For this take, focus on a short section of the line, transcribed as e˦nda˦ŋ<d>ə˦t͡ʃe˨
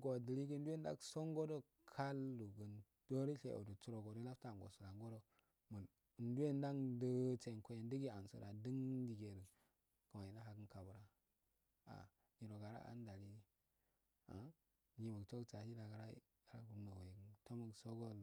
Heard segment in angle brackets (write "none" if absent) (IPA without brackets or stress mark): d